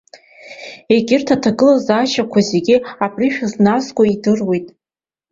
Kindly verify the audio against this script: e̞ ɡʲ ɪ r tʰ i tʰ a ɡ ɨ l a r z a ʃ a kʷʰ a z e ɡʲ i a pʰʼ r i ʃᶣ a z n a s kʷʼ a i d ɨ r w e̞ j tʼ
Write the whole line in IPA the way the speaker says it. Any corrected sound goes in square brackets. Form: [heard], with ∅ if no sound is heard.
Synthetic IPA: e̞ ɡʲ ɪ r tʰ [a] tʰ a ɡ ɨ l a [∅] z a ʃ a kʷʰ a z e ɡʲ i a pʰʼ r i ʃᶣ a z n a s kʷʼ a i d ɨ r w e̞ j tʼ

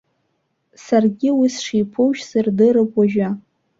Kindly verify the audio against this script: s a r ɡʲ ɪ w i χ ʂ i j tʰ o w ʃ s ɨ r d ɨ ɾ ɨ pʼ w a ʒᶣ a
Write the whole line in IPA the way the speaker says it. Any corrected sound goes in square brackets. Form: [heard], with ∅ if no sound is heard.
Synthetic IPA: s a r ɡʲ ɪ w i [s] ʂ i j [pʰ] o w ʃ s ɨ r d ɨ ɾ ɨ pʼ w a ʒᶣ a

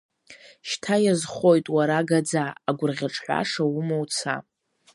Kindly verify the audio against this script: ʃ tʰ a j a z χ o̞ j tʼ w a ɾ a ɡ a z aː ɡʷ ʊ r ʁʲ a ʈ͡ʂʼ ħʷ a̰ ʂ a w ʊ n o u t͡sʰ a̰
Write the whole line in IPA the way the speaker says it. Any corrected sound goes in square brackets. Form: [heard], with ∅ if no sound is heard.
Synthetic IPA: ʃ tʰ a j a z χ o̞ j tʼ w a ɾ a ɡ a [d͡z] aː ɡʷ ʊ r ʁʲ a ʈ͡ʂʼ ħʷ a̰ ʂ a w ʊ [m] o [w] t͡sʰ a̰

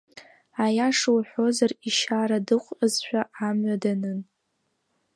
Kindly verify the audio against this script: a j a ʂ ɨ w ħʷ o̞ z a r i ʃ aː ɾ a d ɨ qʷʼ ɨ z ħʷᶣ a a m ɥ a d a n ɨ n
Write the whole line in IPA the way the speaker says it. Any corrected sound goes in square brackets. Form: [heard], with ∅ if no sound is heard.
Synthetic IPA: a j a ʂ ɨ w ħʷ o̞ z a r i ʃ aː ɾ a d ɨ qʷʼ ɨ z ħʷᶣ a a m ɥ a d a n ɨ n

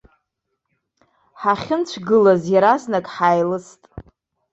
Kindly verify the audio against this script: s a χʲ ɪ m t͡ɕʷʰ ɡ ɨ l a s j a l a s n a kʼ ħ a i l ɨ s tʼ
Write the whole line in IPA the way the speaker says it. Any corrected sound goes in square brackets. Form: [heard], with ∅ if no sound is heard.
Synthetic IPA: [ħ] a χʲ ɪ [n] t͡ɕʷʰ ɡ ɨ l a [z] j a [ɾ] a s n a kʼ ħ a [j] l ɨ s tʼ

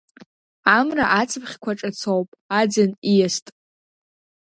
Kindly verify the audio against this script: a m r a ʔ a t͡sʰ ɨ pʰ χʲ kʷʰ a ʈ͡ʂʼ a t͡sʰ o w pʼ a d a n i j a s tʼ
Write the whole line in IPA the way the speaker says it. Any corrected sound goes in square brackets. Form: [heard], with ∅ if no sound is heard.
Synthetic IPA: a m r a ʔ a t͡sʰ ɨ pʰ χʲ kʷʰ a ʈ͡ʂʼ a t͡sʰ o w pʼ a [d͡z] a n i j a s tʼ

